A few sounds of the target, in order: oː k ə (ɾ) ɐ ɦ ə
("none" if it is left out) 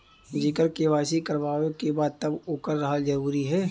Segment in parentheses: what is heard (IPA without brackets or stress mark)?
ɾː